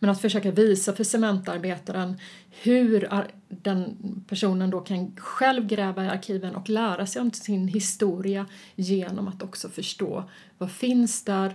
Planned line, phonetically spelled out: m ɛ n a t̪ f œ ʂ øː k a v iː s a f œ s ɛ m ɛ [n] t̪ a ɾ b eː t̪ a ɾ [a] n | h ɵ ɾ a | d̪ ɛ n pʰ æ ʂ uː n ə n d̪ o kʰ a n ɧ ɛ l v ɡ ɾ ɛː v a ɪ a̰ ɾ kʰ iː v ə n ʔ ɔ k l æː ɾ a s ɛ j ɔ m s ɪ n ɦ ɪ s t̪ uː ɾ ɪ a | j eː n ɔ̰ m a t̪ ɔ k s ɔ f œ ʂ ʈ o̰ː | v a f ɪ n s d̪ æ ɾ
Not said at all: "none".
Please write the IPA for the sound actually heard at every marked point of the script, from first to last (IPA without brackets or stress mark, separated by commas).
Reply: n, ə